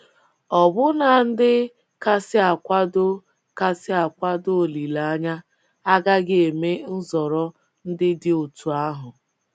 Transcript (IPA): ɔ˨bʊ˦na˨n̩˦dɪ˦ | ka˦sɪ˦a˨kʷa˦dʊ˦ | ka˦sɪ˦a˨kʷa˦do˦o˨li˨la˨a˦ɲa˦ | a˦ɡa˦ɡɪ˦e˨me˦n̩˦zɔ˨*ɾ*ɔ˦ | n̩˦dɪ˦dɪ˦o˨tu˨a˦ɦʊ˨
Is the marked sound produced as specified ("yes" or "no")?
yes